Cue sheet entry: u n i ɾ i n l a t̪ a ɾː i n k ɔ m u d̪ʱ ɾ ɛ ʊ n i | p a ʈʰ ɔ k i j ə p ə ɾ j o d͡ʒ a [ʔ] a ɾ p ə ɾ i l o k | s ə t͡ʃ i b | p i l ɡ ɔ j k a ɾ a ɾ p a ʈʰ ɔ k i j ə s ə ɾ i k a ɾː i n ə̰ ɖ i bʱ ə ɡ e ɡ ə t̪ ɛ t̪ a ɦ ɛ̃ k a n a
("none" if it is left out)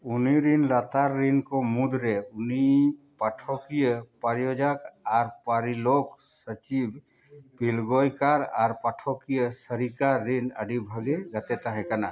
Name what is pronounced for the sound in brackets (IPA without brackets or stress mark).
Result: k